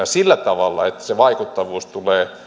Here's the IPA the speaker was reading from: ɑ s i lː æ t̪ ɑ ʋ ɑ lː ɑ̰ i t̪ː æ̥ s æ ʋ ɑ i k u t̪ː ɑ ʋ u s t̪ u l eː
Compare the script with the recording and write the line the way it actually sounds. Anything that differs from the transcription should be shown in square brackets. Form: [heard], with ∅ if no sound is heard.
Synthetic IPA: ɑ s i lː æ t̪ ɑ ʋ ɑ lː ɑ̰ [e] t̪ː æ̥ s [e] ʋ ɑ i k u t̪ː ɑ ʋ [uː] s t̪ u l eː